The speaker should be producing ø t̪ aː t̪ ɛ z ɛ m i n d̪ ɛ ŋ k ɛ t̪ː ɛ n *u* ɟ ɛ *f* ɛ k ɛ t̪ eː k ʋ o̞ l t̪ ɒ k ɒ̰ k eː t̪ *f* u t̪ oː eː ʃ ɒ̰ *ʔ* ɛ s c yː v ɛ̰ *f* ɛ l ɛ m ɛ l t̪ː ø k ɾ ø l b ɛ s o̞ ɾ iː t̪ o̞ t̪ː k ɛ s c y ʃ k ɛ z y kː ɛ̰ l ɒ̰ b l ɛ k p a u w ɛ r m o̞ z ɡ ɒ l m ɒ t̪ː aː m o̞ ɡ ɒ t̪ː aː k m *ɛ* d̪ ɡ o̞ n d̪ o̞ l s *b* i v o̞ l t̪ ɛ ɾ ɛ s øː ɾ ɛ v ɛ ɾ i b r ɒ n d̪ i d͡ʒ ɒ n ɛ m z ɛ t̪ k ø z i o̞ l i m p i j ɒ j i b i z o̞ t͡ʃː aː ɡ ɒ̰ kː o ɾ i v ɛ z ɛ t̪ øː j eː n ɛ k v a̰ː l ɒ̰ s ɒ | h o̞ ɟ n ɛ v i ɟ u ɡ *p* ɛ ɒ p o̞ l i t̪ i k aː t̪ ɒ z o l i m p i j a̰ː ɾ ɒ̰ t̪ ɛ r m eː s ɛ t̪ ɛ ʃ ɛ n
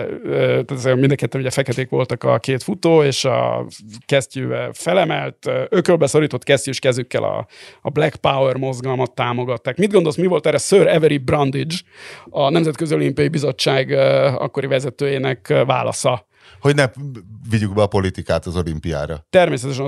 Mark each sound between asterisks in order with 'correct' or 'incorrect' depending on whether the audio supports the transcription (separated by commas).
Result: correct, correct, correct, incorrect, correct, incorrect, incorrect, incorrect